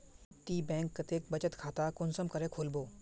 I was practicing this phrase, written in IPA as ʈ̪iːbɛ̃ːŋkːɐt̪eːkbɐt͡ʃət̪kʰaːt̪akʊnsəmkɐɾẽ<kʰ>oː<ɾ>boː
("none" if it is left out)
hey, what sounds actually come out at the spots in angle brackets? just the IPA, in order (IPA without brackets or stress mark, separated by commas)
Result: kʰ, l